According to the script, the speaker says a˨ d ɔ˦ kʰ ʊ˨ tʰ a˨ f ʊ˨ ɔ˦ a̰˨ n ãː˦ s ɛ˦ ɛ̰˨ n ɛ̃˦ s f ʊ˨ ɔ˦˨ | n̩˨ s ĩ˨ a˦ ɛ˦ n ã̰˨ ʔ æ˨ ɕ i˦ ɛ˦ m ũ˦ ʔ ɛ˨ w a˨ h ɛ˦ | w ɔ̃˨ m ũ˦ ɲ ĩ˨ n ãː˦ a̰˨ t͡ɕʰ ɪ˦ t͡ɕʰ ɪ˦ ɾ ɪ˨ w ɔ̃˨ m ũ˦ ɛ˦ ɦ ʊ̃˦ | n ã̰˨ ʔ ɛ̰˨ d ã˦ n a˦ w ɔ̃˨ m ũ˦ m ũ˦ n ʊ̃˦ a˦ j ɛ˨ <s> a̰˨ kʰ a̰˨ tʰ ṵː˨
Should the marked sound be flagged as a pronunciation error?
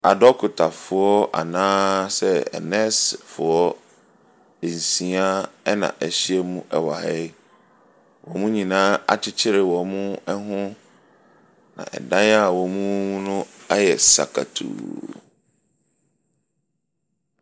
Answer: no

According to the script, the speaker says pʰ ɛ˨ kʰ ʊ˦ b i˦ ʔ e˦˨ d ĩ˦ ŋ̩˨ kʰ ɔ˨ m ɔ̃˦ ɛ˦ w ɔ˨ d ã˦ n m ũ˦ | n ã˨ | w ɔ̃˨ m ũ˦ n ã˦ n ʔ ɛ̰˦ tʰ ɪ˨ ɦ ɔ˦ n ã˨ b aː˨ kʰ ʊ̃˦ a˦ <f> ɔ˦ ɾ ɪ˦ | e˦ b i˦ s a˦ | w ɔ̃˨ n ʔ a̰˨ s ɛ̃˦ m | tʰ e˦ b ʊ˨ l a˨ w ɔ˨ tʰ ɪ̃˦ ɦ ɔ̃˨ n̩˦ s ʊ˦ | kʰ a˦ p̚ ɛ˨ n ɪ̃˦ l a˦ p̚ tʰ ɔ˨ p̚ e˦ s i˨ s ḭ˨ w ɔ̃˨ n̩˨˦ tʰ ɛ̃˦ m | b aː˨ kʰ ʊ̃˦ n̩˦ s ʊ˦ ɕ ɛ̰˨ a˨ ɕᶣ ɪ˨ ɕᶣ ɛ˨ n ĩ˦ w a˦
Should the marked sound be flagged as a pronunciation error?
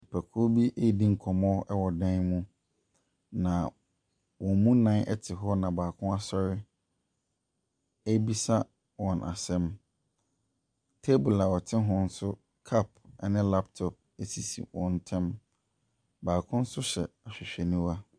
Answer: yes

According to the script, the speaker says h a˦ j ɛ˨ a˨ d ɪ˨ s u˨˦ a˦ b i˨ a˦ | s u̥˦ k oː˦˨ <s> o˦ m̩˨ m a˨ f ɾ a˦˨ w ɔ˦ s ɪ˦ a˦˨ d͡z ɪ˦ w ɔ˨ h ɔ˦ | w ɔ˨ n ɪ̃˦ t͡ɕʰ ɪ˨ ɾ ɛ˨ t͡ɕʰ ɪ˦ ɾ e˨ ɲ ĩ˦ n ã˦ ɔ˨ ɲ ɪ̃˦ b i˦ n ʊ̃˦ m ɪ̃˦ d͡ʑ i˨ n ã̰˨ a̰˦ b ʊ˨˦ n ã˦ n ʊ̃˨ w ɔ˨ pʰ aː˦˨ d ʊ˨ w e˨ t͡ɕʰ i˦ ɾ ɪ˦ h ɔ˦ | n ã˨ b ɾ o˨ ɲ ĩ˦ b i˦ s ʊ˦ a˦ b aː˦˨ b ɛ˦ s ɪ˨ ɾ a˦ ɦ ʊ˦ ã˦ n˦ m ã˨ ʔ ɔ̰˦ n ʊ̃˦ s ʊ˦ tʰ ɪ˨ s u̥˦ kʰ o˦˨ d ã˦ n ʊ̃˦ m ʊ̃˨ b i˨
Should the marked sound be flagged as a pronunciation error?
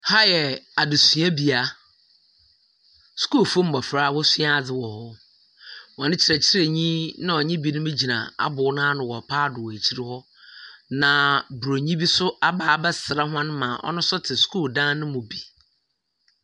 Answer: yes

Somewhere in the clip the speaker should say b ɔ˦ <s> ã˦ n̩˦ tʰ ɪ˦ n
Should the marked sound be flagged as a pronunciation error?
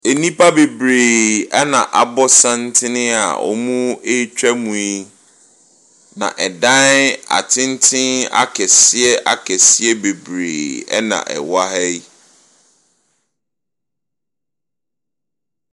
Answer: no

